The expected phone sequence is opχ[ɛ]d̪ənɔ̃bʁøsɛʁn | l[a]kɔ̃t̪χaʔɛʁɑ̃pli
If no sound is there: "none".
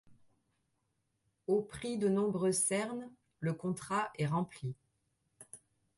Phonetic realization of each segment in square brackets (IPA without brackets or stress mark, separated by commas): i, ə